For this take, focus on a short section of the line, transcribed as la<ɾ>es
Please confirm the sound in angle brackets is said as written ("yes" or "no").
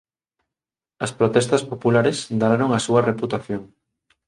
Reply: yes